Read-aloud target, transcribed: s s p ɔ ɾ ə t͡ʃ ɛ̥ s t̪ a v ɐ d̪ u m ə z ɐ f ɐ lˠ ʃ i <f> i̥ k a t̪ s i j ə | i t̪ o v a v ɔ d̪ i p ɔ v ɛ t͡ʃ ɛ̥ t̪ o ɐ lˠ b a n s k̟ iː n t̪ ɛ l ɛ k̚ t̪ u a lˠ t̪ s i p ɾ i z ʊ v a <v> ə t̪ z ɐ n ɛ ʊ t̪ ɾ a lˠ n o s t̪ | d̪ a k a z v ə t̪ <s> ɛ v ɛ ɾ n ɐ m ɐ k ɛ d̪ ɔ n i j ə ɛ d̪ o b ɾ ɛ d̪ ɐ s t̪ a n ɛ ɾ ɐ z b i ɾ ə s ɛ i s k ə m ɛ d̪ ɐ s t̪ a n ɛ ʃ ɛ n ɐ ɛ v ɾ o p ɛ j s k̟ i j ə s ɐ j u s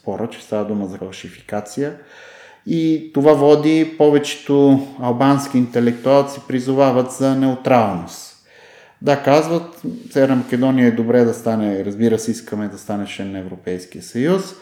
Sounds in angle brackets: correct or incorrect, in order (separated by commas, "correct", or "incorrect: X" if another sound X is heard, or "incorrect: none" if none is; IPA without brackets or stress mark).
correct, correct, correct